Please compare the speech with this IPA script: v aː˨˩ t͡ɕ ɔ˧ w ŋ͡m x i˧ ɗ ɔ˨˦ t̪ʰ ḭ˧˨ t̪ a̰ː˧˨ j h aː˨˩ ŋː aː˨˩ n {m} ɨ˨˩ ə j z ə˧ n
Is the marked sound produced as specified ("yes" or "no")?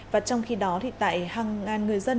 no